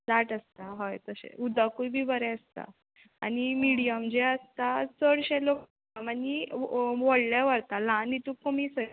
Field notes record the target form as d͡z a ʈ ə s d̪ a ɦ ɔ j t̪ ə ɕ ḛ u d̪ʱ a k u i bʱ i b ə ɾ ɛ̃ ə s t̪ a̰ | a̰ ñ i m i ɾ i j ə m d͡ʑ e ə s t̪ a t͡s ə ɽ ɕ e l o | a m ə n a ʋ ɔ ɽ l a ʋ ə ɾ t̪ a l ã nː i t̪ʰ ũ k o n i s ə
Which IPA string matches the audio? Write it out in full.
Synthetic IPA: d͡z a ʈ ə s t̪ a ɦ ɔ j t̪ ə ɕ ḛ u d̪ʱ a k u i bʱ i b ə ɾ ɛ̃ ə s t̪ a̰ | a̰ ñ i m i ɽ i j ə m d͡ʑ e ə s t̪ a t͡s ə ɽ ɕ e l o | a m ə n i ʋ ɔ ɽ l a ʋ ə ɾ t̪ a l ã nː i t̪ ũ k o m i s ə